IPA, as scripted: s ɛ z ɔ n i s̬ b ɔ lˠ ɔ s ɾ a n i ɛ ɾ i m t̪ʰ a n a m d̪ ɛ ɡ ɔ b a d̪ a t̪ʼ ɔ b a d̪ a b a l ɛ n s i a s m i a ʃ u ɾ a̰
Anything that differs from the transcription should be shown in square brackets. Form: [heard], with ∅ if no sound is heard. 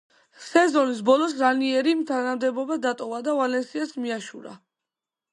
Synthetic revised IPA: s ɛ z ɔ n i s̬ b ɔ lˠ ɔ s ɾ a n i ɛ ɾ i m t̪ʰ a n a m d̪ ɛ [b] ɔ b a d̪ a t̪ʼ ɔ [v] a d̪ a [v] a l ɛ n s i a s m i a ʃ u ɾ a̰